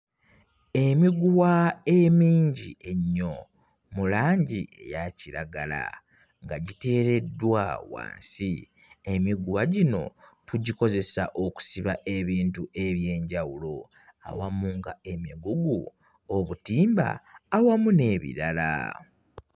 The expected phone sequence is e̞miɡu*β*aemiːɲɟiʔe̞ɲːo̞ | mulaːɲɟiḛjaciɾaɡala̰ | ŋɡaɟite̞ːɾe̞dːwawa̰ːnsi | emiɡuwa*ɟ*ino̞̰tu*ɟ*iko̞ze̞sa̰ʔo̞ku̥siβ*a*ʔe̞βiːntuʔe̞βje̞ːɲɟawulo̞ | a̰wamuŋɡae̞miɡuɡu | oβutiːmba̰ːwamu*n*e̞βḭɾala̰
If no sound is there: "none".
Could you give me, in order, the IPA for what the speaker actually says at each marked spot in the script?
w, ɟ, ɟ, a, n

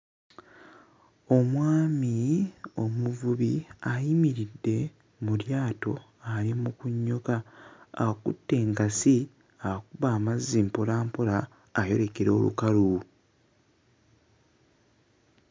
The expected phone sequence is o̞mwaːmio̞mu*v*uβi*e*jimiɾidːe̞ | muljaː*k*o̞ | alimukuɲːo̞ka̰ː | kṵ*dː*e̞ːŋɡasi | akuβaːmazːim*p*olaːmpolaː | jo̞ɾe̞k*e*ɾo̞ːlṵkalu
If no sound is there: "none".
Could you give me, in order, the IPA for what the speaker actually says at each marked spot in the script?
v, a, t, tː, p, e

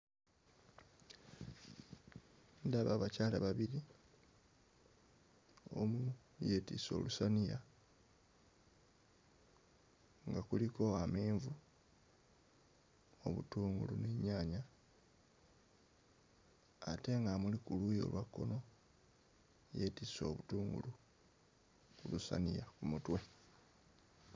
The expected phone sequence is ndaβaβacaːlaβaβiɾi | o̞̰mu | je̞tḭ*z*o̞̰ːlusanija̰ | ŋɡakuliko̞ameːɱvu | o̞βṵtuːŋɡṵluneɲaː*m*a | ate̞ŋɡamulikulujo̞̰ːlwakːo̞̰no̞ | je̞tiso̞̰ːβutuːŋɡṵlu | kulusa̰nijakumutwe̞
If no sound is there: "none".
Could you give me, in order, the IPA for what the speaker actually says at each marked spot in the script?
s, ɲ

